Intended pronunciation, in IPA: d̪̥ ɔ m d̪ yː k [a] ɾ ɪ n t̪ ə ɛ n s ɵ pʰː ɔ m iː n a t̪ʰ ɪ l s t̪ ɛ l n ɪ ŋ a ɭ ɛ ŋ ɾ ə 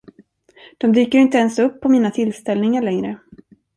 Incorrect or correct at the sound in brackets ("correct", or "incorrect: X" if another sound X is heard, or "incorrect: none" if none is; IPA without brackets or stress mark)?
incorrect: ə